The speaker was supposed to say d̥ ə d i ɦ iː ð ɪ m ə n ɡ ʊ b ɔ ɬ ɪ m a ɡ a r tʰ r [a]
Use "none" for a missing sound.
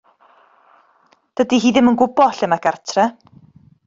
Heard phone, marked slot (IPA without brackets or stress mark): ɛ